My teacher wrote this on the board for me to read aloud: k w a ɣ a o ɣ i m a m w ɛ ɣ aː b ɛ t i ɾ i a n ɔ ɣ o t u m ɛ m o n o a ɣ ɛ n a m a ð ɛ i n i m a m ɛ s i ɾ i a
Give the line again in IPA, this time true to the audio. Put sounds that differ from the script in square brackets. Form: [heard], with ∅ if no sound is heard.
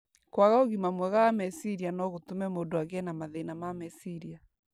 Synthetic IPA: k w a ɣ a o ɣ i m a m w ɛ ɣ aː [m] ɛ [s] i ɾ i a n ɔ ɣ o t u m ɛ m o [d] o a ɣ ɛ n a m a ð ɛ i n [a] m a m ɛ s i ɾ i a

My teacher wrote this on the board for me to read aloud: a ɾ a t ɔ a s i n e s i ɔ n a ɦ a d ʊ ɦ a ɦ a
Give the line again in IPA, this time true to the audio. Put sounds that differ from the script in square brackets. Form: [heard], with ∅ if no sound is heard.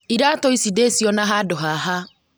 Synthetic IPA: [i] ɾ a t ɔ [i] s i [d] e s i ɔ n a ɦ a d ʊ ɦ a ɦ a

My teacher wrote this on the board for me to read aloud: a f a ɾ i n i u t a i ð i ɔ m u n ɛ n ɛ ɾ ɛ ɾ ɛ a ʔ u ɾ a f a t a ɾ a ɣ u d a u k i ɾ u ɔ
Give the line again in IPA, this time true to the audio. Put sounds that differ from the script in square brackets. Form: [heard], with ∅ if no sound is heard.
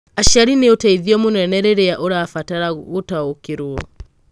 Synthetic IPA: a [ʃ] a ɾ i n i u t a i ð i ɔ m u n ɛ n ɛ ɾ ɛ ɾ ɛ a ʔ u ɾ a f a t a ɾ a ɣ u [t] a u k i ɾ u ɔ

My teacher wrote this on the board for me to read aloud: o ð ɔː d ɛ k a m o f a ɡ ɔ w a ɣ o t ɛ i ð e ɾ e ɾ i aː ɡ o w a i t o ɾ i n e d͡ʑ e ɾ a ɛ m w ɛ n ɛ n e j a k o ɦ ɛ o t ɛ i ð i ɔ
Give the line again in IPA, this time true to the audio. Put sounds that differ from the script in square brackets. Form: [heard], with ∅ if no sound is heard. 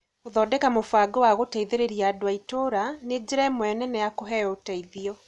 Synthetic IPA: o ð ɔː d ɛ k a m o f a ɡ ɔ w a ɣ o t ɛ i ð e ɾ e ɾ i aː [d] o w a i t o ɾ [a] n e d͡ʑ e ɾ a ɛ m w ɛ n ɛ n [ɛ] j a k o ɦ ɛ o t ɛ i ð i ɔ

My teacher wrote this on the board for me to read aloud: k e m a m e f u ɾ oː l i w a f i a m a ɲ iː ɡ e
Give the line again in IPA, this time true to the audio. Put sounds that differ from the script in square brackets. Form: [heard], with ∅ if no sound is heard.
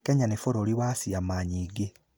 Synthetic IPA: k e [ɲ] a [n] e f [o] ɾ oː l i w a [s] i a m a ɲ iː ɡ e

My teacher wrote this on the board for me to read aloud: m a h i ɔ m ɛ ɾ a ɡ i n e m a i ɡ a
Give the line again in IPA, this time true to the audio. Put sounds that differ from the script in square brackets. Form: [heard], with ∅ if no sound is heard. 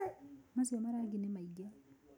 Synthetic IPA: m a [s] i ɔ m [a] ɾ a ɡ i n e m a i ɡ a

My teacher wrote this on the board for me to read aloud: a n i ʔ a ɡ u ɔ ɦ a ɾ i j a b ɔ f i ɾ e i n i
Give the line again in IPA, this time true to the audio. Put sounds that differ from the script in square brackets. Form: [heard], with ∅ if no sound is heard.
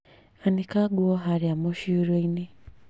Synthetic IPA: a n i [k] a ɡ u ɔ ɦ a ɾ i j a [m] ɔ [ʃ] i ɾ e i n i

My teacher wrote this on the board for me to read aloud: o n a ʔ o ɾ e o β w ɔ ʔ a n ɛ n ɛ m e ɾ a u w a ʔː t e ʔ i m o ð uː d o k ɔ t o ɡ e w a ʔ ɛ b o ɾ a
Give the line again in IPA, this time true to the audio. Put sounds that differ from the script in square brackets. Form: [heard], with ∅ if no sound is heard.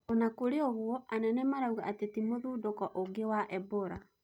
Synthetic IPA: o n a [k] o ɾ e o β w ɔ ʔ a n ɛ n ɛ m [a] ɾ a u [ɣ] a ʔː t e [t] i m o ð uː d o k ɔ [ʔ] o ɡ e w a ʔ ɛ b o ɾ a

